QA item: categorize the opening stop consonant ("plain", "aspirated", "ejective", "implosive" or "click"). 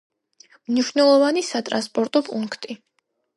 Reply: ejective